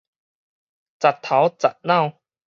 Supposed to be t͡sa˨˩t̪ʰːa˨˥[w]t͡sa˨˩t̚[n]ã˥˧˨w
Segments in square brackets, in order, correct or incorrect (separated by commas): correct, correct